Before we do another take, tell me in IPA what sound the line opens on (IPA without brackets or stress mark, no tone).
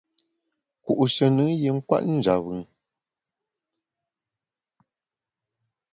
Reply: k